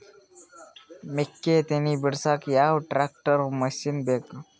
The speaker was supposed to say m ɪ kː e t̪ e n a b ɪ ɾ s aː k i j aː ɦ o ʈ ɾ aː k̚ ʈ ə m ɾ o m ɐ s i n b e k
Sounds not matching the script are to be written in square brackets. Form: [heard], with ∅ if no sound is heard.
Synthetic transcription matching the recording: m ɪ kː e t̪ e n [i] b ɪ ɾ s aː k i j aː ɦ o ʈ ɾ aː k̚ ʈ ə [∅] ɾ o m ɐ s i n b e k